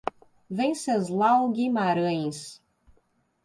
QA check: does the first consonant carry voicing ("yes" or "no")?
yes